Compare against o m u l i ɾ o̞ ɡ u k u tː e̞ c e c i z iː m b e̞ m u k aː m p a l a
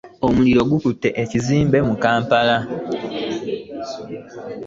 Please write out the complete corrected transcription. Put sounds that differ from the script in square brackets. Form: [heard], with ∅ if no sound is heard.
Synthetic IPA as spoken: o m u l i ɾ o̞ ɡ u k u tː e̞ [ʔ] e c i z iː m b e̞ m u k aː m p a l a